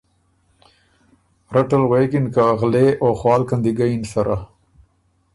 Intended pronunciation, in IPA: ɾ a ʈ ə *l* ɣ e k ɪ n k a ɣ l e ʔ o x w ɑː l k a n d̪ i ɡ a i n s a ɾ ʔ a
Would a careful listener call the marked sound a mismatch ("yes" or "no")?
no